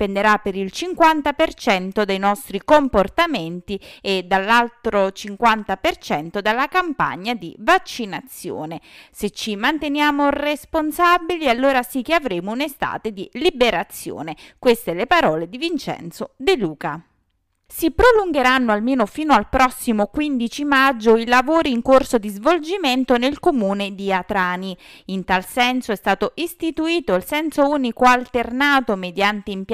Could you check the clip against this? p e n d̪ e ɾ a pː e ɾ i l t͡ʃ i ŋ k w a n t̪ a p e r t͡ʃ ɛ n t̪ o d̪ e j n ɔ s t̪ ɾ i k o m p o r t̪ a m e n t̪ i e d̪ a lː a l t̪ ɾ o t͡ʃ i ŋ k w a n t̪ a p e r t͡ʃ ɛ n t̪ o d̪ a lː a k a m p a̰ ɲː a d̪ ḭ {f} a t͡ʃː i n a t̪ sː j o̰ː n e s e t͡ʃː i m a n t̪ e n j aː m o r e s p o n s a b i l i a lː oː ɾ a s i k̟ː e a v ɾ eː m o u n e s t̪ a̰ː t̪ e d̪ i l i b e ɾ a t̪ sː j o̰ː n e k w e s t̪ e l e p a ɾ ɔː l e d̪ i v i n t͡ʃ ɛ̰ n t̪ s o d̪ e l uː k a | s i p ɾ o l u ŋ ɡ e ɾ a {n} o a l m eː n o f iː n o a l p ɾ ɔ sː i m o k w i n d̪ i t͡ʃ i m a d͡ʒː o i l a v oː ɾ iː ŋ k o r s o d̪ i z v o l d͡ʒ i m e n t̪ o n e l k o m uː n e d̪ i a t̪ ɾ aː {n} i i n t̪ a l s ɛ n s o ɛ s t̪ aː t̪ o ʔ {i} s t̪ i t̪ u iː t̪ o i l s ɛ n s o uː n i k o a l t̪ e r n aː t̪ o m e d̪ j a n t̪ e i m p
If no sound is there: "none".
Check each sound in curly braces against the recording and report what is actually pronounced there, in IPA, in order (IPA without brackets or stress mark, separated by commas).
v, nː, n, i